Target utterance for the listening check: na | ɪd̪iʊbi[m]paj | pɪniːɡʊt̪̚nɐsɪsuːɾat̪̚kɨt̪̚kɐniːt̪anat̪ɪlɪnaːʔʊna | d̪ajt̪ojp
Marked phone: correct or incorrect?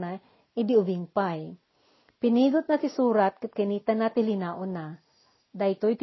incorrect